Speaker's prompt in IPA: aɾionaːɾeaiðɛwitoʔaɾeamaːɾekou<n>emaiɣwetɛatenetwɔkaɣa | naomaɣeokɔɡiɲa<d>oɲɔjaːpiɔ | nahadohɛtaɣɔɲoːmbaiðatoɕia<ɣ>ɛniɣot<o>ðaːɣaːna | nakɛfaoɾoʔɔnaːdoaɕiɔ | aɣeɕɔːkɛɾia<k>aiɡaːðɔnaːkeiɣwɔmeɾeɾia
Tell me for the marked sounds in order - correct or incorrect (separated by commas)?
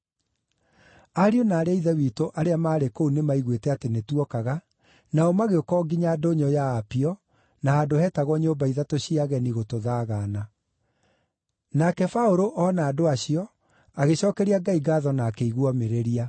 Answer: correct, correct, correct, correct, incorrect